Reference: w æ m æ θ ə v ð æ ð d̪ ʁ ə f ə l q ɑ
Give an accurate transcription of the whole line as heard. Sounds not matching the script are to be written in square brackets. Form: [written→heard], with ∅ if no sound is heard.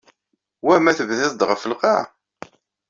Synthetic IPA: w æ m æ θ ə v ð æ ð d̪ ʁ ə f ə l q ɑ

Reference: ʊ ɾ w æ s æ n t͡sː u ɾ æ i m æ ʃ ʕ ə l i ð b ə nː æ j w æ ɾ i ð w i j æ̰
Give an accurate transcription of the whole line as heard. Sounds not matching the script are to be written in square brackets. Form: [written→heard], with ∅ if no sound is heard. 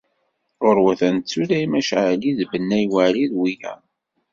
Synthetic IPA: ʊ ɾ w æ [s→θ] æ n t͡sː u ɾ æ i m æ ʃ ʕ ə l i ð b ə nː æ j w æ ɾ i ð w i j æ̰

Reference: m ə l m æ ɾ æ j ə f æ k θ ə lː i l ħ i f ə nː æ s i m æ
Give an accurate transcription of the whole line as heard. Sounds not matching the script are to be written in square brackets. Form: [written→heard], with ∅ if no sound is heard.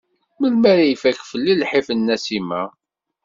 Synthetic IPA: m ə l m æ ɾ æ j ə f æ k [θ→f] ə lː i l ħ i f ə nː æ s i m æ

